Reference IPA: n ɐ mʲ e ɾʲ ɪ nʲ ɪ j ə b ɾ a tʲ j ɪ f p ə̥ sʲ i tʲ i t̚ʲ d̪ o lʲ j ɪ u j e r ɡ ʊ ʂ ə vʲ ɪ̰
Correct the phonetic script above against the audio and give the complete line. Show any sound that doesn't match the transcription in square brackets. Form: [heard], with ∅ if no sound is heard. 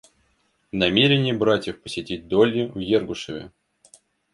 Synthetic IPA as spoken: n ɐ mʲ e ɾʲ ɪ nʲ ɪ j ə b ɾ a tʲ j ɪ f p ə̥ sʲ [ɪ] tʲ i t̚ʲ d̪ o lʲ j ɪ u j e r ɡ ʊ ʂ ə vʲ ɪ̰